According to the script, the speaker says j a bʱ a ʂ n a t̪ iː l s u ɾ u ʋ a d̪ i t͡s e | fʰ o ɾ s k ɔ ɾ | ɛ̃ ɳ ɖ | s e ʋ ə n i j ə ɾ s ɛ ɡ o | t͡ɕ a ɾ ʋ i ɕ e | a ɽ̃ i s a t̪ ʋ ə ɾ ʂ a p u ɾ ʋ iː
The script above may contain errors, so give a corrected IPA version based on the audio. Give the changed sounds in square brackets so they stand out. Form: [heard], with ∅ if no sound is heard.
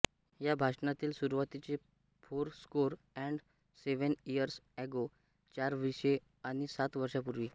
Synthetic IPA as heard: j a bʱ a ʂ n a t̪ iː l s u ɾ u ʋ a [t̪] i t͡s e | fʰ o ɾ s k [o] ɾ | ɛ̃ ɳ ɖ | s e ʋ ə n i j ə ɾ s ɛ ɡ o | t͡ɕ a ɾ ʋ i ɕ e | a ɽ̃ i s a t̪ ʋ ə ɾ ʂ a p u ɾ ʋ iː